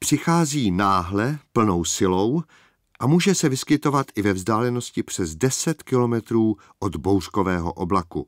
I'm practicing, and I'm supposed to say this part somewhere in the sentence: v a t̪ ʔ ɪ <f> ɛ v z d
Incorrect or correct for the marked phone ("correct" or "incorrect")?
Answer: incorrect